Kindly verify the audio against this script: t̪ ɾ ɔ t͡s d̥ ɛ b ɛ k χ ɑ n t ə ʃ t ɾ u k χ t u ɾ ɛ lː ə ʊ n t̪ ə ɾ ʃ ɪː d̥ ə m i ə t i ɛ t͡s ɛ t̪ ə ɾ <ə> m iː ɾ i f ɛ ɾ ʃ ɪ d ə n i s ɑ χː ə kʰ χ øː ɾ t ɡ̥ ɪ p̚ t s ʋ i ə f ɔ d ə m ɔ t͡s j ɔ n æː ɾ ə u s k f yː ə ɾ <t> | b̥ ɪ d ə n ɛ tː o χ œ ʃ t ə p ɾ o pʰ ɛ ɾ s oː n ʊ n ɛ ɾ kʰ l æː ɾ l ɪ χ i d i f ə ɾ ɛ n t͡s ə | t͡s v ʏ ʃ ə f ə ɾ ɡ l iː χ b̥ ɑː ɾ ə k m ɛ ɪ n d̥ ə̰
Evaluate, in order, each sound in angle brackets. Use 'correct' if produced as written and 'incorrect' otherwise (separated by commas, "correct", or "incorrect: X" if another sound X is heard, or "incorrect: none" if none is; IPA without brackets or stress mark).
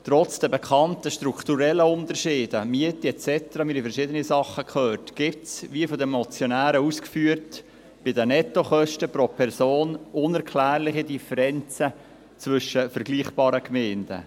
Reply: incorrect: ɑ, correct